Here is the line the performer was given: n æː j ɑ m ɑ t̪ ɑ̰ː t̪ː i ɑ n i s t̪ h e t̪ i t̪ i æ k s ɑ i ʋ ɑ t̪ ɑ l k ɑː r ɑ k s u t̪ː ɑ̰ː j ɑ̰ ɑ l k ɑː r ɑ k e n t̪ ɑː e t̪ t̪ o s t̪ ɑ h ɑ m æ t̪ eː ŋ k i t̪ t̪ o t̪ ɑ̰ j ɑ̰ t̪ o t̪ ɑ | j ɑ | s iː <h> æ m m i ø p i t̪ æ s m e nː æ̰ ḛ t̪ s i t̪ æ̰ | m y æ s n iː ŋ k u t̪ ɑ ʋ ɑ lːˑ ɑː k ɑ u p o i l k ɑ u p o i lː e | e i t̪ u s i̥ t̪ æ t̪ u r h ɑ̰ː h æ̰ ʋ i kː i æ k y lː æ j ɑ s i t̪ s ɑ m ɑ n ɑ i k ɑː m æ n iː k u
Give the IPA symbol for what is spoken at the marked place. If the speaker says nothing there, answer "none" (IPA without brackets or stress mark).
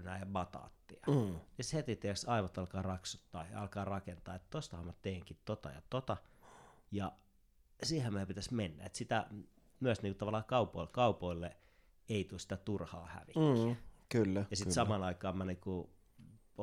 h